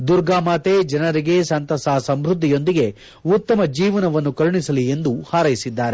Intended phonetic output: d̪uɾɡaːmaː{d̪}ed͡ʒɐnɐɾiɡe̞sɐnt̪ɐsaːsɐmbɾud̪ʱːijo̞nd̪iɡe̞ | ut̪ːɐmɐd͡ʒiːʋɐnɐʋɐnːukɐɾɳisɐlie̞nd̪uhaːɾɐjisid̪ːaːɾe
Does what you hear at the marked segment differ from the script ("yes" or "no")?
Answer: yes